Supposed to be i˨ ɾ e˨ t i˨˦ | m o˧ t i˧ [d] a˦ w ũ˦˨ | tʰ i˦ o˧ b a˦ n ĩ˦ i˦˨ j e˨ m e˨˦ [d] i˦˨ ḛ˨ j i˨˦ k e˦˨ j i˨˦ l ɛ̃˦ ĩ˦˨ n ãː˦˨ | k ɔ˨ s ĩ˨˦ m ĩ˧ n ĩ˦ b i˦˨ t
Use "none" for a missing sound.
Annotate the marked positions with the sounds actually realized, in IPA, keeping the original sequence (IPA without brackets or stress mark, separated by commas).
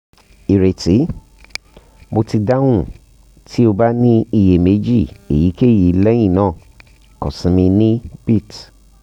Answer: d, d͡ʒ